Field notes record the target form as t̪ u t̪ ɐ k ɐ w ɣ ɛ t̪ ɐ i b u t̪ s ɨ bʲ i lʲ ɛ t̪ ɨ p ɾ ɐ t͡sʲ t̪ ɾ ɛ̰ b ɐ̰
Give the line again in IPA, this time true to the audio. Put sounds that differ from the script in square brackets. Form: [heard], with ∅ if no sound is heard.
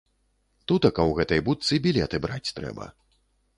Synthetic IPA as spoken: t̪ u t̪ ɐ k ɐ w ɣ ɛ t̪ ɐ [j] b u t̪ s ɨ bʲ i lʲ ɛ t̪ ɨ [b] ɾ [a] t͡sʲ t̪ ɾ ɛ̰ b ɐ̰